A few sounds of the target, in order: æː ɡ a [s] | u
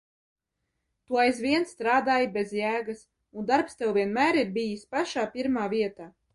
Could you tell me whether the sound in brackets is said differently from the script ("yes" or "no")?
no